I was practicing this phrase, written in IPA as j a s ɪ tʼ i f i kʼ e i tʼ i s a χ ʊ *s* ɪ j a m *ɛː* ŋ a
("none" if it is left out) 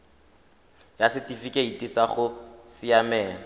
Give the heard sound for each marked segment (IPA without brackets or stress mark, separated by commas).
s, ɛː